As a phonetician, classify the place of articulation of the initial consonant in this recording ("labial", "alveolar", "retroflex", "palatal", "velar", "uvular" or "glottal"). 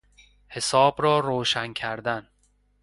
glottal